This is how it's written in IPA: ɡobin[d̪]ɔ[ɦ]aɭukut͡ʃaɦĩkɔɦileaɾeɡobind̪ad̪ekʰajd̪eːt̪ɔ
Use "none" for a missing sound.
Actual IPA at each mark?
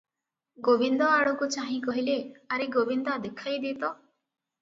d̪, none

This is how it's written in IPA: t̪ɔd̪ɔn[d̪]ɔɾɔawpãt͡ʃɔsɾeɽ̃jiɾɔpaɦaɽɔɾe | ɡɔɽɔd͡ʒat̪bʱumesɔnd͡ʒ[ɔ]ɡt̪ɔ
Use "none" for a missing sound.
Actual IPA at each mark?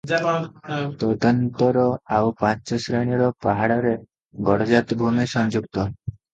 t̪, u

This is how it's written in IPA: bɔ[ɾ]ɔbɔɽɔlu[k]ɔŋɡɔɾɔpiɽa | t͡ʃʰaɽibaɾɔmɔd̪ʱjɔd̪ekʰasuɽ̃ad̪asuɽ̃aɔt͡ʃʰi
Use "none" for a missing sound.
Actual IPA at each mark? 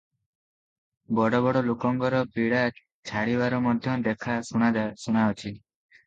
ɽ, k

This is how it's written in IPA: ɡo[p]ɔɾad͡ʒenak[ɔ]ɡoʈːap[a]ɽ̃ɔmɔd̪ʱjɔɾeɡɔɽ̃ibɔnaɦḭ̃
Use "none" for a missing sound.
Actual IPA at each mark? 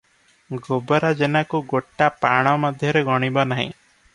b, u, a

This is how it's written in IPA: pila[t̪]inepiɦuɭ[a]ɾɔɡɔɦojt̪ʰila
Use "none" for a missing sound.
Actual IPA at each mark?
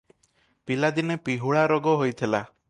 d̪, a

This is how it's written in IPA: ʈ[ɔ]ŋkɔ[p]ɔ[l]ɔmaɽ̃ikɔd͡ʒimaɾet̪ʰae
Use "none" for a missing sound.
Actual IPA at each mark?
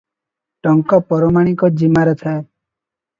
ɔ, p, ɾ

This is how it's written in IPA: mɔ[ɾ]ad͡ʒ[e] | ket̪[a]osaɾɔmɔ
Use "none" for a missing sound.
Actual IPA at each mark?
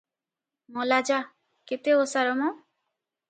l, a, e

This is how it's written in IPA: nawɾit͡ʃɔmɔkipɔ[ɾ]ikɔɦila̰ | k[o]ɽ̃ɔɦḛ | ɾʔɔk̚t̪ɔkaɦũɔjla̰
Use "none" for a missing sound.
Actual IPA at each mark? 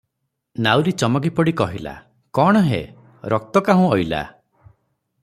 ɽ, ɔ

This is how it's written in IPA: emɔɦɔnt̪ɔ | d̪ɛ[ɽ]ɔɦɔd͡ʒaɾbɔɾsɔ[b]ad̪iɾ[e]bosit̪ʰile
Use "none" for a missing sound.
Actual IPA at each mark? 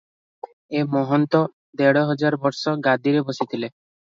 ɽ, ɡ, e

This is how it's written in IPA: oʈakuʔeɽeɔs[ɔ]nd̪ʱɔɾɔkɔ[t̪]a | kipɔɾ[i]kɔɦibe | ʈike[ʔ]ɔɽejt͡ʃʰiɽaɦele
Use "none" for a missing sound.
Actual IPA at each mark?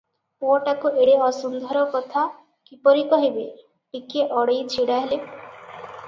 u, t̪ʰ, i, ʔ

